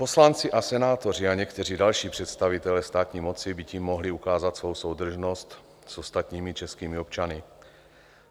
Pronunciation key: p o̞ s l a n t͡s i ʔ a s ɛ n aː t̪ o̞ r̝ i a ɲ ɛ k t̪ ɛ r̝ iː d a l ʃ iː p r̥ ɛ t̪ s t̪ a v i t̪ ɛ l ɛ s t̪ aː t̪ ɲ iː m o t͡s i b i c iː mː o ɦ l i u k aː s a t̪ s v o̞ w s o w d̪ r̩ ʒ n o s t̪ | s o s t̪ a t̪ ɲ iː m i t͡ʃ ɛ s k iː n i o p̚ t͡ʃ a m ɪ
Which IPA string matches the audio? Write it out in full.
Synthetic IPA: p o̞ s l a n t͡s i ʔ a s ɛ n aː t̪ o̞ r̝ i a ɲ ɛ k t̪ ɛ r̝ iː d a l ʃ iː p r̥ ɛ t̪ s t̪ a v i t̪ ɛ l ɛ s t̪ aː t̪ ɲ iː m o t͡s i b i c iː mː o ɦ l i u k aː z a t̪ s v o̞ w s o w d̪ r̩ ʒ n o s t̪ | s o s t̪ a t̪ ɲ iː m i t͡ʃ ɛ s k iː m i o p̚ t͡ʃ a n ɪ